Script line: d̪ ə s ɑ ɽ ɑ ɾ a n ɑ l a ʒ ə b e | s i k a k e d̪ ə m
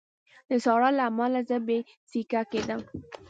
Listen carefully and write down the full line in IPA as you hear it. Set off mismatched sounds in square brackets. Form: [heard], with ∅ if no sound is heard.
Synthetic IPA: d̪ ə s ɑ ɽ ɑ [l] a [m] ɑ l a [z] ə b e | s i k a k e d̪ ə m